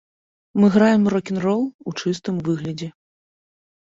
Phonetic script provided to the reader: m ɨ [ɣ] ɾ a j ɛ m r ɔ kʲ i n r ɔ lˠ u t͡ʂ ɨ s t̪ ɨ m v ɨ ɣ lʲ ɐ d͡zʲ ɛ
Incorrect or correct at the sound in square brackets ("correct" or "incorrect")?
correct